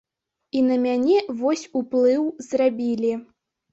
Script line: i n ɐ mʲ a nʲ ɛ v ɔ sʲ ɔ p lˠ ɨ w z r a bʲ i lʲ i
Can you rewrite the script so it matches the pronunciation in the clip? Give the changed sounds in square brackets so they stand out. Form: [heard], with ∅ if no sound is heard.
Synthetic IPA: i n ɐ mʲ a nʲ ɛ v ɔ sʲ [u] p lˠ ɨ w z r a bʲ i lʲ i